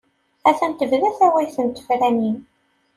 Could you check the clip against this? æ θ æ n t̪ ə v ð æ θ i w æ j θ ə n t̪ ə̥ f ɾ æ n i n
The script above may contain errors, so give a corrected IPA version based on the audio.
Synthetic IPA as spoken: æ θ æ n t̪ ə v ð æ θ æ w æ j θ ə n t̪ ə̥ f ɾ æ n i n